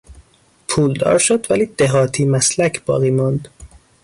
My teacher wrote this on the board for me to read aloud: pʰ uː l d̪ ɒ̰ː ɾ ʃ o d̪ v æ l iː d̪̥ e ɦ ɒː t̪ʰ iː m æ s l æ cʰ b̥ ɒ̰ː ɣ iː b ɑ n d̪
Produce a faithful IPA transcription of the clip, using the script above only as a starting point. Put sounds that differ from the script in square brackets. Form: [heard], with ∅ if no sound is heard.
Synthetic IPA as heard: pʰ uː l d̪ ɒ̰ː ɾ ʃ o d̪ v æ l iː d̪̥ e ɦ ɒː t̪ʰ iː m æ s l æ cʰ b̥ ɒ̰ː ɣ iː [m] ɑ n d̪